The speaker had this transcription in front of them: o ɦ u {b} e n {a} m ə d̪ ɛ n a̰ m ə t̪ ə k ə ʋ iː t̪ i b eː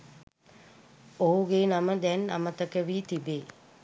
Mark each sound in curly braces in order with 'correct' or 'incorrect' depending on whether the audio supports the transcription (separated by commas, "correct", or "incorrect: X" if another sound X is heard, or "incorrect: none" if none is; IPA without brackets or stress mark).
incorrect: ɡ, correct